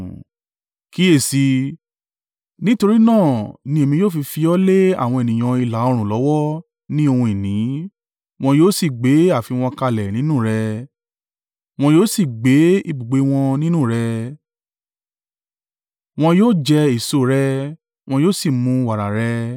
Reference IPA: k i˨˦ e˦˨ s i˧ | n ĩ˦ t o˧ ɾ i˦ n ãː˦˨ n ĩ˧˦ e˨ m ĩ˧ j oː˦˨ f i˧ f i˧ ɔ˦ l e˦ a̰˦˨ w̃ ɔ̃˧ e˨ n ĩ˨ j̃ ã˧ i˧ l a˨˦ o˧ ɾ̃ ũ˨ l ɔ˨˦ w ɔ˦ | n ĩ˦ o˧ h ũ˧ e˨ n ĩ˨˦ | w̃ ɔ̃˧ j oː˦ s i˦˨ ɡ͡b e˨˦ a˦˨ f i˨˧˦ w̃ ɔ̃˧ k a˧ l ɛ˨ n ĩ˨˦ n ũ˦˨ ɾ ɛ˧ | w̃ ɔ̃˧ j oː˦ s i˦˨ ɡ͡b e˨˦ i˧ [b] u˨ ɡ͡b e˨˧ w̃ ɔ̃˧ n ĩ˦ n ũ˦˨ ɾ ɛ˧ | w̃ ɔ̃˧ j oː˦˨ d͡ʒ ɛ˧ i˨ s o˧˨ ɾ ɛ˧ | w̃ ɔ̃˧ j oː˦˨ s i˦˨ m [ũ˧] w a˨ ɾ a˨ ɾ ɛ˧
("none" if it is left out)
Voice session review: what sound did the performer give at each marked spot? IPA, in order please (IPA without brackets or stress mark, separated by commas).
b, ũ˧